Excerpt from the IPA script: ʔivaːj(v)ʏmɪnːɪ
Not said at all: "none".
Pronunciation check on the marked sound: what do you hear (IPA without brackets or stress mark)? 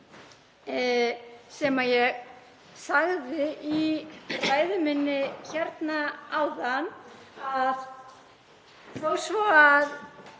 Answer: ð